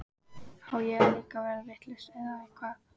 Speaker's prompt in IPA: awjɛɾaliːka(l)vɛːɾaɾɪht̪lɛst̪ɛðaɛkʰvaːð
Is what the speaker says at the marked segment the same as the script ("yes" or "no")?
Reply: no